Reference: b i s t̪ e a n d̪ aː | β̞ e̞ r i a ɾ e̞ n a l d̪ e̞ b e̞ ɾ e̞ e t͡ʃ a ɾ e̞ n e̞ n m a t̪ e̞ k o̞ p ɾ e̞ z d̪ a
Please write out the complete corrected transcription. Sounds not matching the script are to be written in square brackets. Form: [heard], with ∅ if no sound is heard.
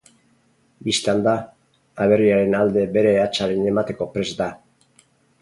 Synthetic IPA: b i s t̪ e a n d̪ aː | β̞ e̞ r i a ɾ e̞ n a l d̪ e̞ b e̞ ɾ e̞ [a] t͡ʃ a ɾ e̞ n e̞ [∅] m a t̪ e̞ k o̞ p ɾ e̞ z d̪ a